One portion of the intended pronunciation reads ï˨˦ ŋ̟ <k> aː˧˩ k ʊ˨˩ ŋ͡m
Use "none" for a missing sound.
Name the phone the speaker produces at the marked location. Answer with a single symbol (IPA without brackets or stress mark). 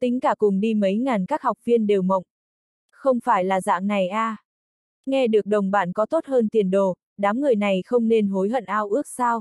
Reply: k